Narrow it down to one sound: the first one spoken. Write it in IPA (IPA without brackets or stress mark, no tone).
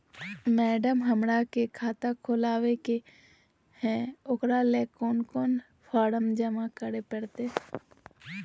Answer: m